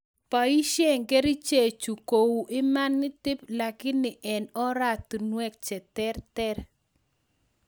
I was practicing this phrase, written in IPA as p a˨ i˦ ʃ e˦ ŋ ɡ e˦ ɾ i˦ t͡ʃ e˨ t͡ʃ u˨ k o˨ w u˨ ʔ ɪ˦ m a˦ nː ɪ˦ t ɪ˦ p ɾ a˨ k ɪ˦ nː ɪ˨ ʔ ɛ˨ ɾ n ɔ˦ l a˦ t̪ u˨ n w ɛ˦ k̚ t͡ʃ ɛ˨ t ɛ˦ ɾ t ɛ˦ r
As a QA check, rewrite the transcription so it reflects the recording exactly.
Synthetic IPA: p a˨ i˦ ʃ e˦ ŋ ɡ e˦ ɾ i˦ t͡ʃ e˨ t͡ʃ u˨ k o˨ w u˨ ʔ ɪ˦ m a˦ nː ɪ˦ t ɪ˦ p l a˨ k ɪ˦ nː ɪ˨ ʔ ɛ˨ n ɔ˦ ɾ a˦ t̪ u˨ n w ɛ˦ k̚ t͡ʃ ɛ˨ t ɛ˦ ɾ t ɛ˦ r